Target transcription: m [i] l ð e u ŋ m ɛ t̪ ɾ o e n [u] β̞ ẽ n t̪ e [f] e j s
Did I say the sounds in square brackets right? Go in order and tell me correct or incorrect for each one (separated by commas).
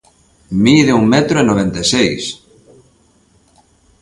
correct, incorrect, incorrect